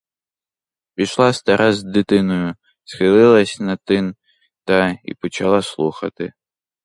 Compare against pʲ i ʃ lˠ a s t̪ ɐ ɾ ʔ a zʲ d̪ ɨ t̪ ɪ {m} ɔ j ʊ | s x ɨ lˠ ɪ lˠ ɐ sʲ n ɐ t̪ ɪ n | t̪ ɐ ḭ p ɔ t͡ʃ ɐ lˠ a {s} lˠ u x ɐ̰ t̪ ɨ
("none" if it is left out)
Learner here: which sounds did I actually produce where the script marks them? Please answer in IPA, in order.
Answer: n, s

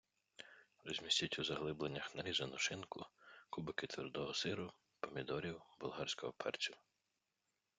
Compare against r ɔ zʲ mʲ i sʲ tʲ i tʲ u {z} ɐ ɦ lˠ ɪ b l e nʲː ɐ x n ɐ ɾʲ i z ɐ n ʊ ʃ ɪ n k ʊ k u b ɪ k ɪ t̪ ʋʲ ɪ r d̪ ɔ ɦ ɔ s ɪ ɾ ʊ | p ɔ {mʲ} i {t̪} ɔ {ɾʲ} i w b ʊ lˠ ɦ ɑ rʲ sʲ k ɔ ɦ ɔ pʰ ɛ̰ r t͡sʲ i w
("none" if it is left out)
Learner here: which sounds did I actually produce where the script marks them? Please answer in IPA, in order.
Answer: z, mʲ, d̪, ɾʲ

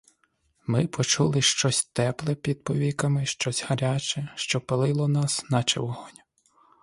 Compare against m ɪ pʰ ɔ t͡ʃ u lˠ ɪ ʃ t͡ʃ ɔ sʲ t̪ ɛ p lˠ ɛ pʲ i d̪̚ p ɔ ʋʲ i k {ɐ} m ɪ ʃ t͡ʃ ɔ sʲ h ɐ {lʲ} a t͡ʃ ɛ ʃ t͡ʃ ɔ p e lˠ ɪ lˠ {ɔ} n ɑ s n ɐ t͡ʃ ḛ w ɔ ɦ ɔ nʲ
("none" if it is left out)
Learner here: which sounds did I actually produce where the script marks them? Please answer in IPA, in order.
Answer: ɐ, ɾʲ, ɔ

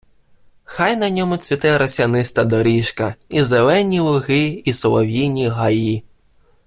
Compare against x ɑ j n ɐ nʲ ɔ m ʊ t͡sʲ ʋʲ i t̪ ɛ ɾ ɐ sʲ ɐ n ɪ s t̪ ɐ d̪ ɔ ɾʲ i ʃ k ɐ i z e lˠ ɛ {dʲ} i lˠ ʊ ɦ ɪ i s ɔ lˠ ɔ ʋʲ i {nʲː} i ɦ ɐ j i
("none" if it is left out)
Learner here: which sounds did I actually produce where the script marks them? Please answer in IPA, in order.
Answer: nʲ, nʲ

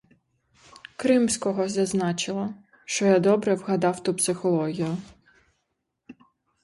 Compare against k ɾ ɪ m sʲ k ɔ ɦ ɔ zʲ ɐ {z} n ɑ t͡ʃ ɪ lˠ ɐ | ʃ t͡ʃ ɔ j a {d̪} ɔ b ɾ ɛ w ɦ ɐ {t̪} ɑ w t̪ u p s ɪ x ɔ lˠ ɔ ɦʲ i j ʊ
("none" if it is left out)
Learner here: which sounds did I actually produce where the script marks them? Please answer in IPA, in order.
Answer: z, d̪, d̪

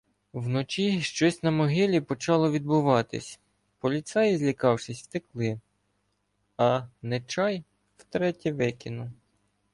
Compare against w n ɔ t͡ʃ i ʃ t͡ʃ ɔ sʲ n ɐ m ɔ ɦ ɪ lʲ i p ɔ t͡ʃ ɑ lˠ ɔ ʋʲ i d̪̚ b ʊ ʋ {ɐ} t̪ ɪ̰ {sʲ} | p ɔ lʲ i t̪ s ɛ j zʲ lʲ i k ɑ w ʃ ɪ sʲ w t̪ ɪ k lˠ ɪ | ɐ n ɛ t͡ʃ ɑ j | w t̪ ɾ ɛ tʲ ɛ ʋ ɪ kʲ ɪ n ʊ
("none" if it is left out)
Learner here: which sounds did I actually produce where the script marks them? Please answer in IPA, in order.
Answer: ɑ, sʲ

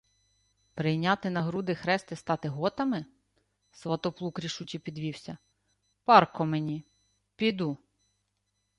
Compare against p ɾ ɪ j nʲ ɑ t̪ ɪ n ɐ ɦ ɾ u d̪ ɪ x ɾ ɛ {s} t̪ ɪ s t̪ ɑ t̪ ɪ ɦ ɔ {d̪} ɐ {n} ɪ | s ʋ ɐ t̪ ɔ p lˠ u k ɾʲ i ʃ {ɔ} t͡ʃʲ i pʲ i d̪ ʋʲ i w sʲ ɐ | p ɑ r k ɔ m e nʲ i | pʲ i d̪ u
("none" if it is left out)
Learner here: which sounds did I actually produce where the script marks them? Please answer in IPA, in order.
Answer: s, t̪, m, u

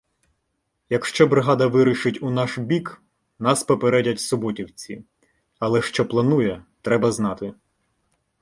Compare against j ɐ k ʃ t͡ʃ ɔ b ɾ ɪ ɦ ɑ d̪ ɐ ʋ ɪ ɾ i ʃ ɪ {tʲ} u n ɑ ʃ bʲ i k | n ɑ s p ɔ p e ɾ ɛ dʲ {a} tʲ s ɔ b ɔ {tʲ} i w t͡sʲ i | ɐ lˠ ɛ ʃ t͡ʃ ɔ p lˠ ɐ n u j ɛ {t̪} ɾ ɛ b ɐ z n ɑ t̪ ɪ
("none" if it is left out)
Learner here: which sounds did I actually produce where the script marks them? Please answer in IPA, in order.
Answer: tʲ, ɐ, tʲ, t̪

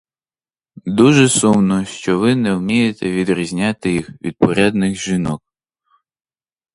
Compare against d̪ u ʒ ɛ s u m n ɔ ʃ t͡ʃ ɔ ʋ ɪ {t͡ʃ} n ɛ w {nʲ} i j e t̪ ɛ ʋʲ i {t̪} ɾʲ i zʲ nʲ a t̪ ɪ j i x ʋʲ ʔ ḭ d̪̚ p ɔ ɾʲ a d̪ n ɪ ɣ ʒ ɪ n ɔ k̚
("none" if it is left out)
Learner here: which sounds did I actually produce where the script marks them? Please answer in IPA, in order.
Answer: none, mʲ, d̪

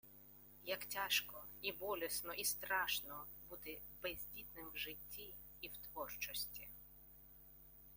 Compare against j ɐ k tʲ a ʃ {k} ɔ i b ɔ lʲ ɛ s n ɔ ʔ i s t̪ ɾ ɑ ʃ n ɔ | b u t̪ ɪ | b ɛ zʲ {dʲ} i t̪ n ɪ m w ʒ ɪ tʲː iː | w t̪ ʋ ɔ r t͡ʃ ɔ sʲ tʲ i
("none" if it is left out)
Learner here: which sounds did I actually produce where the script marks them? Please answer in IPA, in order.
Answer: k, dʲ

